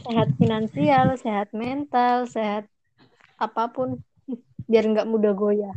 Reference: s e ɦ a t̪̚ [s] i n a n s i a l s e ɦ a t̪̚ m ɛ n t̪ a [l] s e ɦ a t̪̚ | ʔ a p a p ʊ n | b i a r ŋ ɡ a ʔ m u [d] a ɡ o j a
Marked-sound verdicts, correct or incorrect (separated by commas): incorrect, correct, correct